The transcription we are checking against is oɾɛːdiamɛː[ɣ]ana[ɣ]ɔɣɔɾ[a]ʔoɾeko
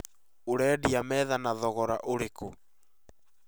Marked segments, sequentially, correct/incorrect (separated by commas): incorrect, incorrect, correct